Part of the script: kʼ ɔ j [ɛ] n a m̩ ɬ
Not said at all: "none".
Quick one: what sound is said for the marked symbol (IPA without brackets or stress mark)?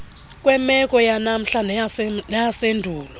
a